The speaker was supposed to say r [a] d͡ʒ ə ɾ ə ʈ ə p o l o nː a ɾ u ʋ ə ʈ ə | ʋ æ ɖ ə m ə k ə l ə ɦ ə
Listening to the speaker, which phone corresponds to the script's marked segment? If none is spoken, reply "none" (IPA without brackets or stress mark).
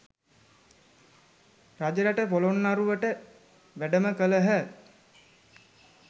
a